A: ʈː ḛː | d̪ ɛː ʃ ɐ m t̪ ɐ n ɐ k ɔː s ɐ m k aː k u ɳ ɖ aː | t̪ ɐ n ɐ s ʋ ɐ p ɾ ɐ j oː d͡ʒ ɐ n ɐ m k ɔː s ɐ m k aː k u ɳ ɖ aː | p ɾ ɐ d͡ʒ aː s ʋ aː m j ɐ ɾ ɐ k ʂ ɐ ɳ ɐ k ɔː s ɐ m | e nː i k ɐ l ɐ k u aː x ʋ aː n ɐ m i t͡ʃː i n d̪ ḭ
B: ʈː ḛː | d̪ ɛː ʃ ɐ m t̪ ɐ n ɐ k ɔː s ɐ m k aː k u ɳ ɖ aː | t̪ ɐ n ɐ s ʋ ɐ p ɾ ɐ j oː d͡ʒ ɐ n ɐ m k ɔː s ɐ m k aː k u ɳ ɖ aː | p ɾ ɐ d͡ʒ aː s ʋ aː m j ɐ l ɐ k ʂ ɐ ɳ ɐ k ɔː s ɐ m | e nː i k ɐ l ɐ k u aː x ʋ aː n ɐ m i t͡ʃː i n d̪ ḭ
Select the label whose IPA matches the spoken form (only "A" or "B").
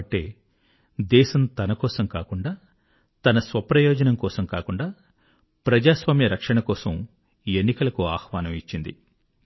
A